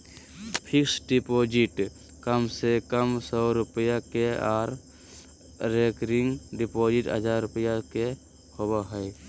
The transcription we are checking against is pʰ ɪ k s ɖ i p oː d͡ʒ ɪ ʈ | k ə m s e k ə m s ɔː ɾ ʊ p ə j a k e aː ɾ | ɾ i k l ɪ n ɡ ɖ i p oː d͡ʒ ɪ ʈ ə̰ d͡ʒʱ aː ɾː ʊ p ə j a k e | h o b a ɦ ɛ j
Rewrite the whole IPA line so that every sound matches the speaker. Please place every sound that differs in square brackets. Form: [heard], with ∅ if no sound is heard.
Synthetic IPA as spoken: pʰ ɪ k s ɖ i p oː d͡ʒ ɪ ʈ | k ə m s e k ə m s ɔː ɾ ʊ p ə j a k e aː ɾ | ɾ [e] k [ɾ] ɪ [ŋ] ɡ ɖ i p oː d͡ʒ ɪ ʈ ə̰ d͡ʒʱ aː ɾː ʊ p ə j a k e | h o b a ɦ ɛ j

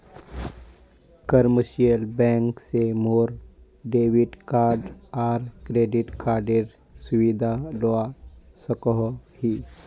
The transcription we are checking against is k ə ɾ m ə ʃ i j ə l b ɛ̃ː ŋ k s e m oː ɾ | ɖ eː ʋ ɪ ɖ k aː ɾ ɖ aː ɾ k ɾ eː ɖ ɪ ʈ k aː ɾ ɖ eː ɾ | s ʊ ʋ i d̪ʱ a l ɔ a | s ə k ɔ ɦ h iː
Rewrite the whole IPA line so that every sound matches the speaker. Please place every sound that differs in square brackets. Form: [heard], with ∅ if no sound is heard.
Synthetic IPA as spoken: k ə ɾ m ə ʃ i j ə l b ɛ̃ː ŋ k s e m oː ɾ | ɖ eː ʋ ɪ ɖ k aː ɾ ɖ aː ɾ k ɾ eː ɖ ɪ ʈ k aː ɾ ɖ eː ɾ | s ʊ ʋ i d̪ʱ a l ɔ a | s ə k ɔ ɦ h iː

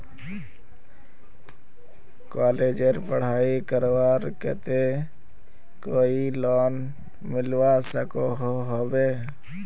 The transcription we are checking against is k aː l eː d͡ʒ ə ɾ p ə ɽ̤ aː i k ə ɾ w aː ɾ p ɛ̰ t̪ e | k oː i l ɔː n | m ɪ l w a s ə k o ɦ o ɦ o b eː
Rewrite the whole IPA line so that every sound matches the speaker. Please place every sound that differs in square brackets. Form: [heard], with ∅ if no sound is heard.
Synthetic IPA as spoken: k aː l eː d͡ʒ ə ɾ p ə ɽ̤ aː i k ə ɾ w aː ɾ [k] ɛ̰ t̪ e | k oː i l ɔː n | m ɪ l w a s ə k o ɦ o ɦ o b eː

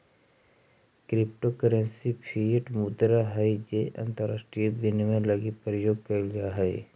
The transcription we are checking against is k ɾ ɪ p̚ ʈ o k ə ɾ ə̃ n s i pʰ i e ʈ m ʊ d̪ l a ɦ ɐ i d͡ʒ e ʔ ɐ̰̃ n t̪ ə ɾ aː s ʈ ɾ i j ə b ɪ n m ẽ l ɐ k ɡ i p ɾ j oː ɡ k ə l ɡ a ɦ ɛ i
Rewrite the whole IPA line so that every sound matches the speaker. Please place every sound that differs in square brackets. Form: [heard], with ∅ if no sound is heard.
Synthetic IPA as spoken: k ɾ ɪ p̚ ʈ o k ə ɾ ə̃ n s i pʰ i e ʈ m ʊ d̪ [ɾ] a ɦ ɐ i d͡ʒ e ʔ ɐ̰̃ n t̪ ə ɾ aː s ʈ ɾ i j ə b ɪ n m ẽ l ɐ [∅] ɡ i p ɾ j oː ɡ k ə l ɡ a ɦ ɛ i

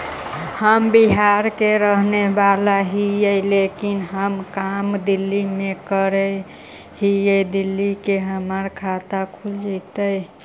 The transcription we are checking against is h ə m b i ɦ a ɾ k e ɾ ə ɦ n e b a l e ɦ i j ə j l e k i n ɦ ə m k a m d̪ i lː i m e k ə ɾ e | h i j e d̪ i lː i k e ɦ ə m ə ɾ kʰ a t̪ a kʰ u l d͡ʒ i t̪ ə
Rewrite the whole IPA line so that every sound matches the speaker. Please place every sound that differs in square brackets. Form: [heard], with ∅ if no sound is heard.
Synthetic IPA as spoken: h ə m b i ɦ a ɾ k e ɾ ə ɦ n e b a l [a] ɦ i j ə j l e k i n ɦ ə m k a m d̪ i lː i m e k ə ɾ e | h i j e d̪ i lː i k e ɦ ə m ə ɾ kʰ a t̪ a kʰ u l d͡ʒ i t̪ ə

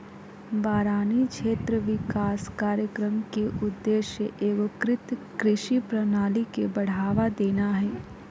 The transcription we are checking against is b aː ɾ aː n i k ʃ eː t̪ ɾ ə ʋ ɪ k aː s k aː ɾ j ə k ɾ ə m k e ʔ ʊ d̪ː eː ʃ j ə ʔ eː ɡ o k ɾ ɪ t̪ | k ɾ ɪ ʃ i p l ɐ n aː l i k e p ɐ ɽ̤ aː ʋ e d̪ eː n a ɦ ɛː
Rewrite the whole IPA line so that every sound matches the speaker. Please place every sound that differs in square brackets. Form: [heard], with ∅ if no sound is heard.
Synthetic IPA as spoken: b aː ɾ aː n i k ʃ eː t̪ ɾ ə ʋ ɪ k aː s k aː ɾ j ə k ɾ ə m k e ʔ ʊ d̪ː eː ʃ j ə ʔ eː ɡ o k ɾ ɪ t̪ | k ɾ ɪ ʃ i p [ɾ] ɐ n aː l i k e [b] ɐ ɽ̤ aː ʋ [a] d̪ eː n a ɦ ɛː

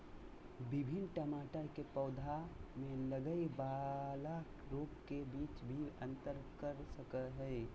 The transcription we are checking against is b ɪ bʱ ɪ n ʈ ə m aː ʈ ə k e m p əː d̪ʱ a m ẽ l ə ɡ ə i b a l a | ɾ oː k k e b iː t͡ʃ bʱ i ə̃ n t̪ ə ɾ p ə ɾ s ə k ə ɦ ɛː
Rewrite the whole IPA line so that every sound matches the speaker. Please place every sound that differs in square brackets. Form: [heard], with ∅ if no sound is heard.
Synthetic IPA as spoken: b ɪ bʱ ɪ n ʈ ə m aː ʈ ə k e [∅] p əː d̪ʱ a m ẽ l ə ɡ ə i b a l a | ɾ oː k k e b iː t͡ʃ bʱ i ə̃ n t̪ ə ɾ [k] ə ɾ s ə k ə ɦ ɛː

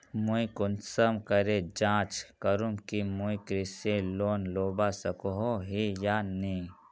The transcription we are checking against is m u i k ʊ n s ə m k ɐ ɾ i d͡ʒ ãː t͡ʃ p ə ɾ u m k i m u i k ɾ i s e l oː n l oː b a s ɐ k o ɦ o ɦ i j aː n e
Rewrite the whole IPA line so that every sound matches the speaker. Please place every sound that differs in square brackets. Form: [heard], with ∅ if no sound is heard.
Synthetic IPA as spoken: m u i k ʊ n s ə m k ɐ ɾ [e] d͡ʒ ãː t͡ʃ [k] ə ɾ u m k i m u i k ɾ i s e l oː n l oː b a s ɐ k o ɦ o ɦ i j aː n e

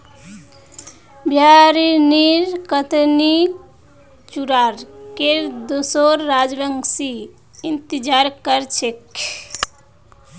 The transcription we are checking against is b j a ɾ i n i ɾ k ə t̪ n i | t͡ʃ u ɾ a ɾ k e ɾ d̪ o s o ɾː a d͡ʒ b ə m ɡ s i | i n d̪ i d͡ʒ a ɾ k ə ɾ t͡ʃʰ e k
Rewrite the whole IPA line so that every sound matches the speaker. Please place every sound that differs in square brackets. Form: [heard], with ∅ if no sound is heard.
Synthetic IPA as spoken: b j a ɾ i n i ɾ k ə t̪ n i | t͡ʃ u ɾ a ɾ k e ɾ d̪ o s o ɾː a d͡ʒ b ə [ŋ] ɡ s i | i n [t̪] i d͡ʒ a ɾ k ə ɾ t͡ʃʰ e k

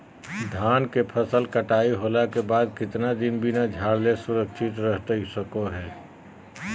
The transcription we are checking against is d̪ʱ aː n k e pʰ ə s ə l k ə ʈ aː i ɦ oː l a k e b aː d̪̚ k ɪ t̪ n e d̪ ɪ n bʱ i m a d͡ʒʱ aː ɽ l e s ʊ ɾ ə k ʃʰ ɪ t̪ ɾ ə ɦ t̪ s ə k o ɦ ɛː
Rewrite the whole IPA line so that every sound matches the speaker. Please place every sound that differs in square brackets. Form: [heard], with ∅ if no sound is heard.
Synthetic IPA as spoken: d̪ʱ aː n k e pʰ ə s ə l k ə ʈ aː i ɦ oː l a k e b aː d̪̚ k ɪ t̪ n [a] d̪ ɪ n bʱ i [n] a d͡ʒʱ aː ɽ l e s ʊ ɾ ə k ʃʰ ɪ t̪ ɾ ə ɦ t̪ s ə k o ɦ ɛː

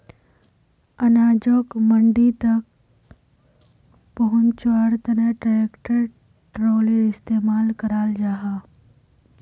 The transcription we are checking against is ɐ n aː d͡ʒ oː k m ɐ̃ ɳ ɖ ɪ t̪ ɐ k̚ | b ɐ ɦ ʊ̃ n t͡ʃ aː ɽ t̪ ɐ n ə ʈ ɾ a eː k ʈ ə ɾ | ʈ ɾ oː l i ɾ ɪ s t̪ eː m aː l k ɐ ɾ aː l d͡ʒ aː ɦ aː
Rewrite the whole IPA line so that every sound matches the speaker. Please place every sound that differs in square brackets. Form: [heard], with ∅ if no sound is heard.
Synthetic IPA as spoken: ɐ n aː d͡ʒ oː k m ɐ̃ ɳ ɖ [i] t̪ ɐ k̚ | [p] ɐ ɦ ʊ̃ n t͡ʃ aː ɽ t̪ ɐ n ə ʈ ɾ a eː k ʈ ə ɾ | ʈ ɾ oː l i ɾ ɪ s t̪ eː m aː l k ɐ ɾ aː l d͡ʒ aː ɦ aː

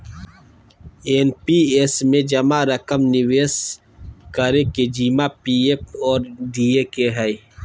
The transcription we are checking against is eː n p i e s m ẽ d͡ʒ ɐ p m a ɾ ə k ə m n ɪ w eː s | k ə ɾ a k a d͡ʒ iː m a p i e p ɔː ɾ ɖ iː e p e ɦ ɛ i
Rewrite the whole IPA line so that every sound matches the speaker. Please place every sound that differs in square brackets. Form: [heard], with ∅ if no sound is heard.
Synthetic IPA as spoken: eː n p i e s m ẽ d͡ʒ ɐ [∅] m a ɾ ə k ə m n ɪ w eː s | k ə ɾ [e] k [e] d͡ʒ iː m a p i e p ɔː ɾ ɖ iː e [k] e ɦ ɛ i

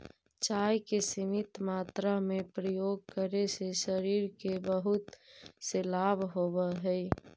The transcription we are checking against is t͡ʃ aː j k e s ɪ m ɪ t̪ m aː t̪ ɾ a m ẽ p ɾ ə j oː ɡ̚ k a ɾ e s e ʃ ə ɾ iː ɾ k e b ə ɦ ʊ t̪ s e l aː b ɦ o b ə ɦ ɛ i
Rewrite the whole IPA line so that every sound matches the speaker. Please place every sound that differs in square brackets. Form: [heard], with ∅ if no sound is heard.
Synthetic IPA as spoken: t͡ʃ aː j k e s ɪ m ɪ t̪ m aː t̪ ɾ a m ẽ p ɾ ə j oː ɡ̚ k [ə] ɾ e s e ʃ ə ɾ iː ɾ k e b ə ɦ ʊ t̪ s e l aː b ɦ o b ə ɦ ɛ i

